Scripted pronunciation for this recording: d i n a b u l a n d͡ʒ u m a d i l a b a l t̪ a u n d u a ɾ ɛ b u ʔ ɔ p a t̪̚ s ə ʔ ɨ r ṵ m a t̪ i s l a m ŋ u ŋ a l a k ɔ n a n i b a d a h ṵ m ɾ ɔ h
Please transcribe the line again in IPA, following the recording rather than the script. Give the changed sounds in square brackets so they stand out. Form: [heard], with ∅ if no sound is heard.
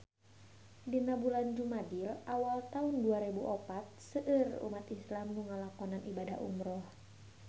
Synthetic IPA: d i n a b u l a n d͡ʒ u m a d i l a [w] a l t̪ a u n d u a ɾ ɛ b u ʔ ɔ p a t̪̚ s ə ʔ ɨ r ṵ m a t̪ i s l a m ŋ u ŋ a l a k ɔ n a n i b a d a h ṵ m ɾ ɔ h